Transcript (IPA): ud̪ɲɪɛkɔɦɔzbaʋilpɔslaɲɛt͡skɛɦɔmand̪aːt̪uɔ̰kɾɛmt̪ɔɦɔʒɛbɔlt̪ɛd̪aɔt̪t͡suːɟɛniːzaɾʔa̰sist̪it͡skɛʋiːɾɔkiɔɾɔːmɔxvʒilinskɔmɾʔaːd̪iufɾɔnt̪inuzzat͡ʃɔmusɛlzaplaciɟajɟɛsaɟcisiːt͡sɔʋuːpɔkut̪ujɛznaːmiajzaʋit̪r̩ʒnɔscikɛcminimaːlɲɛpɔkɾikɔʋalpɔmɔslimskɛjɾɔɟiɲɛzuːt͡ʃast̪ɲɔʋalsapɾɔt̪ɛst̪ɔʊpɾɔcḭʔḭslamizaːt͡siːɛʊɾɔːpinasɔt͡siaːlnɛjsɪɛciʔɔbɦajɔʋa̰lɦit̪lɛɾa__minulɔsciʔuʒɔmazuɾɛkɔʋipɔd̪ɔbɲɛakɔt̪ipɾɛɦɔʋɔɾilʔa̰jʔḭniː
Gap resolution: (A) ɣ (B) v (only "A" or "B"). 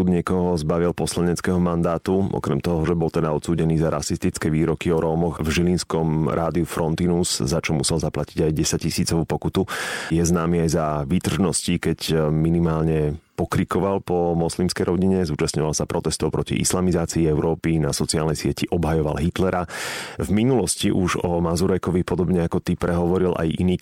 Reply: B